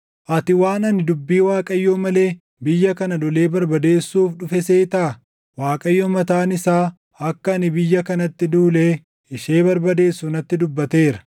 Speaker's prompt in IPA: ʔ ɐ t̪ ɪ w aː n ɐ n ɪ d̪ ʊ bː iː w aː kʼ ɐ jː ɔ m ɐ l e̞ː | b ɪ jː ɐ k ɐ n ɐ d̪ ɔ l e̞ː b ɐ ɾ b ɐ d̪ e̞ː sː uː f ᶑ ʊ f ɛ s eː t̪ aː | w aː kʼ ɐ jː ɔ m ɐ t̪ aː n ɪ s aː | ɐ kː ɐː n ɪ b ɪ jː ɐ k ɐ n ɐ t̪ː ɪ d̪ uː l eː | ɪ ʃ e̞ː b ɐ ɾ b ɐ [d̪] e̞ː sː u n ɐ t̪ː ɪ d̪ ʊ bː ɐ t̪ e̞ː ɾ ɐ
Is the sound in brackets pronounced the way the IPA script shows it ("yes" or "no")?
yes